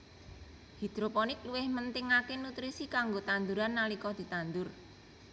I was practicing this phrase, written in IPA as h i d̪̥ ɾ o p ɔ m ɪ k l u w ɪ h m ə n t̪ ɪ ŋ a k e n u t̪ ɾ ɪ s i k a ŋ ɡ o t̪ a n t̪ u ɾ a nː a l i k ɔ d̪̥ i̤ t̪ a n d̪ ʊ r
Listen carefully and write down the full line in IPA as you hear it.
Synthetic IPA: h i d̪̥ ɾ o p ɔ n ɪ k l u w ɪ h m ə n t̪ ɪ ŋ a k e n u t̪ ɾ i s i k a ŋ ɡ o t̪ a n d̪ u ɾ a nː a l i k ɔ d̪̥ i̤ t̪ a n d̪ ʊ r